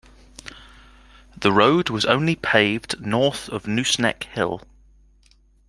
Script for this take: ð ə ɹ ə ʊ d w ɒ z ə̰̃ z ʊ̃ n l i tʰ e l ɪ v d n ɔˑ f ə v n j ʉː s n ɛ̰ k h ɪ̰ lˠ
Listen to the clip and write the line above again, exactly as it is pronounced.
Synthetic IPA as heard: ð ə ɹ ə ʊ d w ɒ z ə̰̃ ʊ̃ n l i pʰ e ɪ v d n ɔˑ θ ə v n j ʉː s n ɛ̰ k h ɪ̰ lˠ